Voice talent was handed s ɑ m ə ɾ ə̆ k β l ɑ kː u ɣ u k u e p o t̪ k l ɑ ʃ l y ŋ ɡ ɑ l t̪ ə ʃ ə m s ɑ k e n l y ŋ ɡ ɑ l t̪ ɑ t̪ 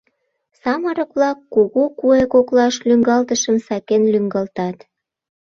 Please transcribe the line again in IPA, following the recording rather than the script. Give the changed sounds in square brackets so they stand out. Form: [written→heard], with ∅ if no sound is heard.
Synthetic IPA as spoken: s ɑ m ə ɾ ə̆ k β l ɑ kː u ɣ u k u e [p→k] o [t̪→∅] k l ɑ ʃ l y ŋ ɡ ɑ l t̪ ə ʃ ə m s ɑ k e n l y ŋ ɡ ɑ l t̪ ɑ t̪

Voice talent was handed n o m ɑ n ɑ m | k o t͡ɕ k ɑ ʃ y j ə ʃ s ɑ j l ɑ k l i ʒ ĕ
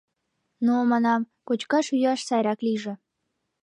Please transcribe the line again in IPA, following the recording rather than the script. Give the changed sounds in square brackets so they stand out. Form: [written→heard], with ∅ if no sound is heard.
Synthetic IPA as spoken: n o m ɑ n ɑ m | k o t͡ɕ k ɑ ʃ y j [ə→ɑ] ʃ s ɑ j [l→ɾ] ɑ k l i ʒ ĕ

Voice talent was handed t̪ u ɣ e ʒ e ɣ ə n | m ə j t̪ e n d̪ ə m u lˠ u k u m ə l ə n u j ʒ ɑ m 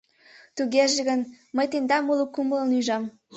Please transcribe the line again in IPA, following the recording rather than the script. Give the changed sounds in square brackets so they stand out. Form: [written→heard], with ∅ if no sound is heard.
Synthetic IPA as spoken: t̪ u ɣ e ʒ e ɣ ə n | m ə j t̪ e n d̪ [ə→ɑ] m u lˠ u k u m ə l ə n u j ʒ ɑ m

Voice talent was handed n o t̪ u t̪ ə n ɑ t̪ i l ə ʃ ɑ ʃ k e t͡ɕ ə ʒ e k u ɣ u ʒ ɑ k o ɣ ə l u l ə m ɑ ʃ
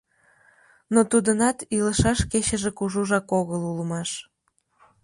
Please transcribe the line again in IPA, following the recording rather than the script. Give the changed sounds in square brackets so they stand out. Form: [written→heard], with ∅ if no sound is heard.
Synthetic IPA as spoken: n o t̪ u [t̪→d̪] ə n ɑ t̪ i l ə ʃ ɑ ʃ k e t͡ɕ ə ʒ e k u [ɣ→ʒ] u ʒ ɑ k o ɣ ə l u l ə m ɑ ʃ

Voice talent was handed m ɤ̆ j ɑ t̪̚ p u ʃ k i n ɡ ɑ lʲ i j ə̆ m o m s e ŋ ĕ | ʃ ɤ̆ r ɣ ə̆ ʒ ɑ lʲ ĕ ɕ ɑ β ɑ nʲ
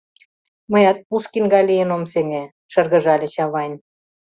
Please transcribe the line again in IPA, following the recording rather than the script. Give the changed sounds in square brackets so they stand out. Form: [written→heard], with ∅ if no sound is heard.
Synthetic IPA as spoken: m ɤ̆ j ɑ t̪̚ p u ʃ k i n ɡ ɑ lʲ i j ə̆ [m→n] o m s e ŋ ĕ | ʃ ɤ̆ r ɣ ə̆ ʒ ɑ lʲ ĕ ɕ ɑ β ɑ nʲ

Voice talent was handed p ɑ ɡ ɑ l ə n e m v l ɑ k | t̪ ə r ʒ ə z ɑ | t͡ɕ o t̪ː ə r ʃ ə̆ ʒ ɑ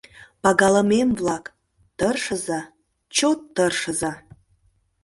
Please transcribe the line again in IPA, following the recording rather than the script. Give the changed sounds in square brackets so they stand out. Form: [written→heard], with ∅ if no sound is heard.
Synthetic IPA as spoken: p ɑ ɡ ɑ l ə [n→m] e m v l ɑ k | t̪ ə r [ʒ→ʃ] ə z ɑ | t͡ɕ o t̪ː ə r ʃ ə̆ [ʒ→z] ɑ

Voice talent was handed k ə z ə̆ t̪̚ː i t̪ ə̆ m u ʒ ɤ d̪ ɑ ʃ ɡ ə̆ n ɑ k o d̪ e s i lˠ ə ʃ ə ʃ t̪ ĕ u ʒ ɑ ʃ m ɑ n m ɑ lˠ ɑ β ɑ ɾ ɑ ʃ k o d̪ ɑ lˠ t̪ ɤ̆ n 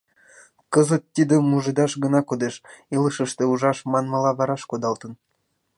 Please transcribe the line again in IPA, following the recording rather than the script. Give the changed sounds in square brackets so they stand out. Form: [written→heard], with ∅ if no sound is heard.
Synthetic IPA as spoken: k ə z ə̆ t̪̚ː i [t̪→d̪] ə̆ m u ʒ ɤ d̪ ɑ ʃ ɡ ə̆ n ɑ k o d̪ e [s→ʃ] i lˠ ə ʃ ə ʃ t̪ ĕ u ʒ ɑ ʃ m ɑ n m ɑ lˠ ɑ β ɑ ɾ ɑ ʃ k o d̪ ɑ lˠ t̪ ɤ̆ n

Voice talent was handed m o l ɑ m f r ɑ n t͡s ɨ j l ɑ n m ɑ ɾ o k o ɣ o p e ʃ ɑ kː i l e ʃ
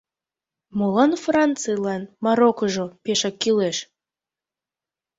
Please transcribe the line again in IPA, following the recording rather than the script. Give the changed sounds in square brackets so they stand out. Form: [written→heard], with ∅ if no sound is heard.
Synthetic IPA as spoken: m o l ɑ [m→n] f r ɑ n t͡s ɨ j l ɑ n m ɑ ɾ o k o [ɣ→ʒ] o p e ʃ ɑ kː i l e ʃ

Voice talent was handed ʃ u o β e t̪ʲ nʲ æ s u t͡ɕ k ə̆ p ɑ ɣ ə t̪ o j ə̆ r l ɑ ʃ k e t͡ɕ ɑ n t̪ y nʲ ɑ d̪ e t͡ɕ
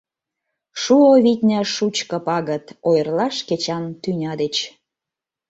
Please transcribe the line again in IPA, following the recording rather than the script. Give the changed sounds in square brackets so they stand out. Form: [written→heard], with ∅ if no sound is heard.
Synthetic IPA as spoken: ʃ u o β [e→i] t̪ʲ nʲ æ [s→ʃ] u t͡ɕ k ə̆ p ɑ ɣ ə t̪ o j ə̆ r l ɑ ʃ k e t͡ɕ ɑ n t̪ y nʲ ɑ d̪ e t͡ɕ

